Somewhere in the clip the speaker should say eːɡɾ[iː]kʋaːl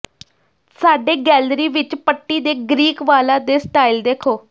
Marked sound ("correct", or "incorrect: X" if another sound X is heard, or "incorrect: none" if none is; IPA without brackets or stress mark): correct